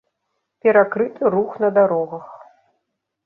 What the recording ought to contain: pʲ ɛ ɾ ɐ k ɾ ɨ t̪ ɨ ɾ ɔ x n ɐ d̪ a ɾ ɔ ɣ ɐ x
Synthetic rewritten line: pʲ ɛ ɾ a k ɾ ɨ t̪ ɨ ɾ u x n ɐ d̪ a ɾ ɔ ɣ ɐ x